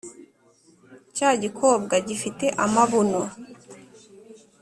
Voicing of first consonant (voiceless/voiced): voiceless